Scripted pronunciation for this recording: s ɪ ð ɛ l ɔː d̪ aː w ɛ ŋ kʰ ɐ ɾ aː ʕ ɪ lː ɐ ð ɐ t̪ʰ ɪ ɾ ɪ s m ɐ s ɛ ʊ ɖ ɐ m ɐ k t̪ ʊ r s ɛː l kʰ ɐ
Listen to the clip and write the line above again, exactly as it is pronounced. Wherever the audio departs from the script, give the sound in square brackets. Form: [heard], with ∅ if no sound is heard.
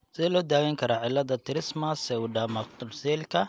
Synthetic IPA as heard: s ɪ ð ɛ l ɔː d̪ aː w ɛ ŋ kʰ ɐ ɾ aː ʕ ɪ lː ɐ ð ɐ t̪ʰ ɪ ɾ ɪ s m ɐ s ɛ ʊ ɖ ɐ m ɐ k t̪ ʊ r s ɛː l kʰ ɐ